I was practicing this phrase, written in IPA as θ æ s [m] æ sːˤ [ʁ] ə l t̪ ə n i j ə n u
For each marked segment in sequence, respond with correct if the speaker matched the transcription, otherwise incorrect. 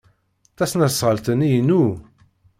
incorrect: n, correct

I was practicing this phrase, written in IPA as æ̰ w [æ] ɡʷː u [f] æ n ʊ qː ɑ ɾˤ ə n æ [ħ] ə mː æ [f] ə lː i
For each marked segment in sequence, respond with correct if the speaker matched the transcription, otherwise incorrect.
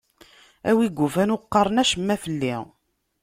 incorrect: i, correct, incorrect: ʃ, correct

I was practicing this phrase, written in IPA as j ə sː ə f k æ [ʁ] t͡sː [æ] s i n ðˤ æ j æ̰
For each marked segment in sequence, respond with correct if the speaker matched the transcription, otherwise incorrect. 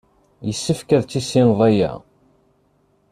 incorrect: ð, incorrect: i

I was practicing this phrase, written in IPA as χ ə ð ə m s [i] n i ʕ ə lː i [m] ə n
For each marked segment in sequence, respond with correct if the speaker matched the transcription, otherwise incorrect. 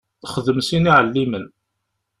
correct, correct

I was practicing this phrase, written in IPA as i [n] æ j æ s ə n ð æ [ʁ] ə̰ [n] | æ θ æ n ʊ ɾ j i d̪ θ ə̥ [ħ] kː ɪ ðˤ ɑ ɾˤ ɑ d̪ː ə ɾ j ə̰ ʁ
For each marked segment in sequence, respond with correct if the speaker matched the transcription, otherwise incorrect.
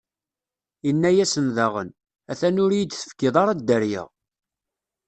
incorrect: nː, correct, correct, incorrect: f

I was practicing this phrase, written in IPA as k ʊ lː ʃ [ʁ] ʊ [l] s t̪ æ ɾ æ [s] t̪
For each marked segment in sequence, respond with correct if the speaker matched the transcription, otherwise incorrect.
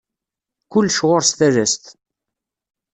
correct, incorrect: ɾ, correct

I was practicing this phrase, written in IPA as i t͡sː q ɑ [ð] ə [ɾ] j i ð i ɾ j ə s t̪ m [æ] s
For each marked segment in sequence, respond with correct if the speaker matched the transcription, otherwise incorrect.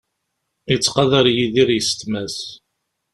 correct, correct, correct

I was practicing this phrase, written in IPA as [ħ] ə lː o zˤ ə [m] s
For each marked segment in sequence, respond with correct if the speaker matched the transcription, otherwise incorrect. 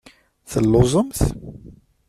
incorrect: θ, correct

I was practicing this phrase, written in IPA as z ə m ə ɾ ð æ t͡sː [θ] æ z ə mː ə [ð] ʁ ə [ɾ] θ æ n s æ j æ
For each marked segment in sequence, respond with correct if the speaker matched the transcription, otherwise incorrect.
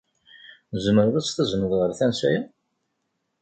correct, correct, correct

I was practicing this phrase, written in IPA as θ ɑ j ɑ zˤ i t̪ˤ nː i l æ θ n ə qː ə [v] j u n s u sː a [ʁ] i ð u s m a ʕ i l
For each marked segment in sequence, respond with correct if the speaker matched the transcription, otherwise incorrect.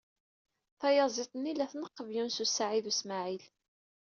correct, incorrect: ʕ

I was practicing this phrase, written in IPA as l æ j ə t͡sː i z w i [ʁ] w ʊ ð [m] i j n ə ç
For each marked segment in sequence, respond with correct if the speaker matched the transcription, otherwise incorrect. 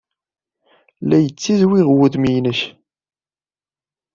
correct, correct

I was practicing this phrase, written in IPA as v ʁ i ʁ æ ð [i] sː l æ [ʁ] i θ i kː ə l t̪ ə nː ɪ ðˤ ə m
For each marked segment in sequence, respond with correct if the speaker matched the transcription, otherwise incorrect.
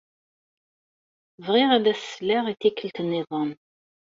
incorrect: æ, correct

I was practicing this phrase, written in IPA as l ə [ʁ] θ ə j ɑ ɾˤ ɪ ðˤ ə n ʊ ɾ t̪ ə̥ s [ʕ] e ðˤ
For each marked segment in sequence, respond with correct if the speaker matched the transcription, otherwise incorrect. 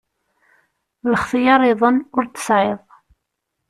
incorrect: χ, correct

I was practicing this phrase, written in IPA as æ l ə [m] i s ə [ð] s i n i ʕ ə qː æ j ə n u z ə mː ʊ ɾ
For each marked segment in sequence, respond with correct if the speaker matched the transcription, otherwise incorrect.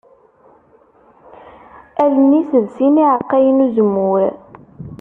incorrect: n, correct

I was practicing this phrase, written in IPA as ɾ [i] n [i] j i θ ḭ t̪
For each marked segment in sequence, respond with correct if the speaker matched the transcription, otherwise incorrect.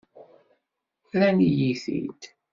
incorrect: æ, correct

